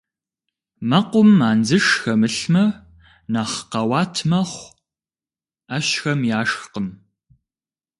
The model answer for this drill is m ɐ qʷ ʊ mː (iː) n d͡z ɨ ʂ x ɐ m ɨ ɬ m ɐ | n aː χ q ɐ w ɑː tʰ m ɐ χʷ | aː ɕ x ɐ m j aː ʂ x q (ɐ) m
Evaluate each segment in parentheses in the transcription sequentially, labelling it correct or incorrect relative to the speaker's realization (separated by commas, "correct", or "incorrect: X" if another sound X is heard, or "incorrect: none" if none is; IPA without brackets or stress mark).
incorrect: aː, incorrect: ə